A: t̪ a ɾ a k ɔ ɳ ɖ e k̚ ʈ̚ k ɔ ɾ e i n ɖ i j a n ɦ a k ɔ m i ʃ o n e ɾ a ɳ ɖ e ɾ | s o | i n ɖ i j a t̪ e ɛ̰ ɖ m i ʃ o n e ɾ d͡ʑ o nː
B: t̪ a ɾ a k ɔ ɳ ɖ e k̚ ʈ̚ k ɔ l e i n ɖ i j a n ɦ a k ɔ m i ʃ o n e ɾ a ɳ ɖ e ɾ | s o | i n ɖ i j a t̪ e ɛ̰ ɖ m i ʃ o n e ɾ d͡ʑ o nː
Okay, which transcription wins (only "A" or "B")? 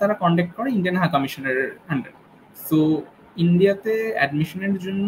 A